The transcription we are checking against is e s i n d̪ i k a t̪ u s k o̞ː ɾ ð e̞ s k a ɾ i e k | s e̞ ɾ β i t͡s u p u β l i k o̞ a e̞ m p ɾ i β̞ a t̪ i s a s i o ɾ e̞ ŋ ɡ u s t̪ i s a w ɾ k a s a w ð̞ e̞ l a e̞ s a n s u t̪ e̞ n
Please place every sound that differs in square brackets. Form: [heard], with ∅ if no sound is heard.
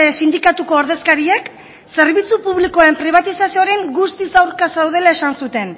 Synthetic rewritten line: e s i n d̪ i k a t̪ u [∅] k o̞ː ɾ ð e̞ s k a ɾ i e k | s e̞ ɾ β i t͡s u p u β l i k o̞ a e̞ m p ɾ i β̞ a t̪ i s a s i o ɾ e̞ ŋ ɡ u s t̪ i s a w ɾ k a s a w ð̞ e̞ l a e̞ s a n s u t̪ e̞ n